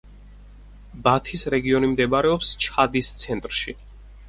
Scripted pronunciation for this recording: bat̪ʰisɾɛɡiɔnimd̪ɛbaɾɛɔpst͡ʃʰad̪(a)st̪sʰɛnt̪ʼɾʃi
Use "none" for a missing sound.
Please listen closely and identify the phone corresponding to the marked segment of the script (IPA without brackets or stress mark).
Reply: i